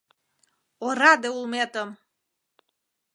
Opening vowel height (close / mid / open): mid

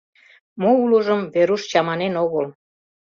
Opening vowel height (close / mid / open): mid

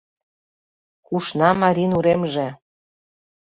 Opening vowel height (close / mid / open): close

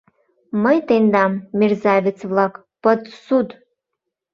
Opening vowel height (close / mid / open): mid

